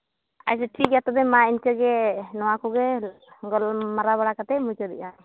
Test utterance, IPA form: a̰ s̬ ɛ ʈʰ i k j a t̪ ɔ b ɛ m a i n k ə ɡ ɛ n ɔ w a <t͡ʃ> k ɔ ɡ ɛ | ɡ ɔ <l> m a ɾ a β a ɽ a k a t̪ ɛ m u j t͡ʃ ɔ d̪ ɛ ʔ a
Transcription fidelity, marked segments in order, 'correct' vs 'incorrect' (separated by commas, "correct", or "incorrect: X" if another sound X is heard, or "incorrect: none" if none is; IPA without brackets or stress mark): incorrect: none, correct